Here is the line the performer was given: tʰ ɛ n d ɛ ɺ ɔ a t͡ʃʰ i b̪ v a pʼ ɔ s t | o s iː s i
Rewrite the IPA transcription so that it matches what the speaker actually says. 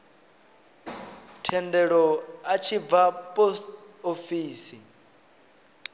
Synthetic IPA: tʰ ɛ n d ɛ ɺ ɔ a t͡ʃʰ i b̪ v a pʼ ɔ s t | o f iː s i